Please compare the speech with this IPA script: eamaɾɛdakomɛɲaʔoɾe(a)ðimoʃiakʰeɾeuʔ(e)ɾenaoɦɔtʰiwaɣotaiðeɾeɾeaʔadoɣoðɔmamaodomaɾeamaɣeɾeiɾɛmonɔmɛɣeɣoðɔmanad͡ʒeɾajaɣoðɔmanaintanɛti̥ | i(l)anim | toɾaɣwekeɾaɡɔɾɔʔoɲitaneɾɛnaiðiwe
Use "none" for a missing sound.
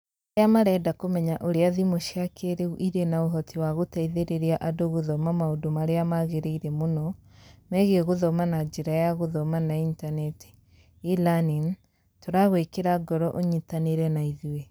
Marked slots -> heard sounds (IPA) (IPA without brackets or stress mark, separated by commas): a, i, l